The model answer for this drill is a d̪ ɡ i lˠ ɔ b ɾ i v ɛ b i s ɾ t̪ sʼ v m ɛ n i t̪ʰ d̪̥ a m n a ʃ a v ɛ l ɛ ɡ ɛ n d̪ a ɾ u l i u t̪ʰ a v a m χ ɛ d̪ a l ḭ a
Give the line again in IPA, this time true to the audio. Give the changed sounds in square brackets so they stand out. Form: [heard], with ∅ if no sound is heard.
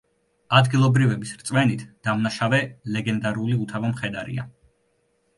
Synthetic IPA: a d̪ ɡ i lˠ ɔ b ɾ i v ɛ b i s ɾ t̪ sʼ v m ɛ n i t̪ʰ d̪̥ a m n a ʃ a v ɛ l ɛ ɡ ɛ n d̪ a ɾ u l i u t̪ʰ a v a m χ ɛ d̪ a [ɾ] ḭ a